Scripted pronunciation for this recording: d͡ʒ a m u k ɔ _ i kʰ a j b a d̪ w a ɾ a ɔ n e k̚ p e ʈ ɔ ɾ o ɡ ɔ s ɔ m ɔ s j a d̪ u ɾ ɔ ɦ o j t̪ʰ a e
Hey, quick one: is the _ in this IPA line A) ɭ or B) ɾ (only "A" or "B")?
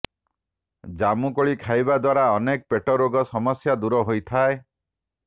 A